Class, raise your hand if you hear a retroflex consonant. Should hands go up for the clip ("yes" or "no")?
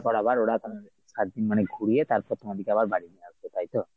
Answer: yes